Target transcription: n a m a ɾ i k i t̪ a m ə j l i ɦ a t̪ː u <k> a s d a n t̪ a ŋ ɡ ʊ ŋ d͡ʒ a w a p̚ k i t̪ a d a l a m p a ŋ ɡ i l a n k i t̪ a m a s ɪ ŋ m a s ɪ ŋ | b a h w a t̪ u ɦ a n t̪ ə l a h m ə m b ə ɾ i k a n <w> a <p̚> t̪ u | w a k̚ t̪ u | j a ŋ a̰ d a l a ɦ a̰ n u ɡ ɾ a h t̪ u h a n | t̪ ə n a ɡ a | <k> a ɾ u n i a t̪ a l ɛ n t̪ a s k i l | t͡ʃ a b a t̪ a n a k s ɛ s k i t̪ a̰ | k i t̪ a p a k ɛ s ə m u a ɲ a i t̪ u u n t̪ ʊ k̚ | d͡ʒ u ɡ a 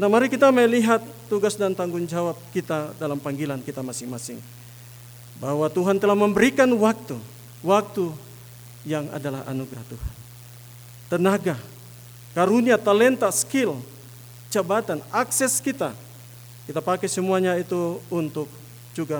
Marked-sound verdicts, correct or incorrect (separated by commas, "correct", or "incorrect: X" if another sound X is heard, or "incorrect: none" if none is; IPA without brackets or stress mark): incorrect: ɡ, correct, incorrect: k̚, correct